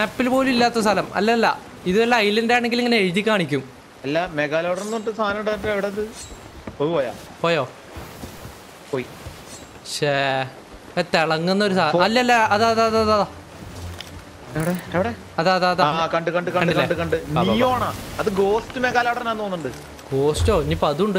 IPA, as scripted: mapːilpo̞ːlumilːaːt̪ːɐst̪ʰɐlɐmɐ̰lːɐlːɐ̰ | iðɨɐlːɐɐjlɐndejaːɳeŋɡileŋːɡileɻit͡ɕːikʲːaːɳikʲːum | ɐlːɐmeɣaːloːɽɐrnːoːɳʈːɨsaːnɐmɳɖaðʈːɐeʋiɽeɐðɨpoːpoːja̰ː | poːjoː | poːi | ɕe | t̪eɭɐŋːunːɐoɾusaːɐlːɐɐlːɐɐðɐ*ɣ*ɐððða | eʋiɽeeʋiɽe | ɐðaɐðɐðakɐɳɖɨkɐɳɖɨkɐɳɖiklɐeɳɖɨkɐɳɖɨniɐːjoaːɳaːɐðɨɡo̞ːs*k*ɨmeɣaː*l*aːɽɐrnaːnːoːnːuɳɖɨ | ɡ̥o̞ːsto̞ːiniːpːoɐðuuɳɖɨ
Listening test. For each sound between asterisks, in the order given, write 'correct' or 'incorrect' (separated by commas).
incorrect, incorrect, correct